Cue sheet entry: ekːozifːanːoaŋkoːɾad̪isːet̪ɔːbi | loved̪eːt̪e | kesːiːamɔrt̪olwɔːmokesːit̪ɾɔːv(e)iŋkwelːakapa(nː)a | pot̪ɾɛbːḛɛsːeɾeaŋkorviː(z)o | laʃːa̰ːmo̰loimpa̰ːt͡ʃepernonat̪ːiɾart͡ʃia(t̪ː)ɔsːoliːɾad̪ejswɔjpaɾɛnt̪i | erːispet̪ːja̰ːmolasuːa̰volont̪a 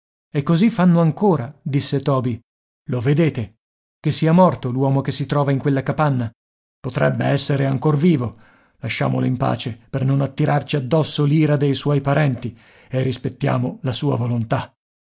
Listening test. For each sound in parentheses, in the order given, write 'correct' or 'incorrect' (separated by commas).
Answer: incorrect, correct, incorrect, incorrect